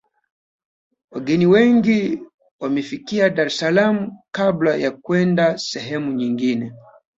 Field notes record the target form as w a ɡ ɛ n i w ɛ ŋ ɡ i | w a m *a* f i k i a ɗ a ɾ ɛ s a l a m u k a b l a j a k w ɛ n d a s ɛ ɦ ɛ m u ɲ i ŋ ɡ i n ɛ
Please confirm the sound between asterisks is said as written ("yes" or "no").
no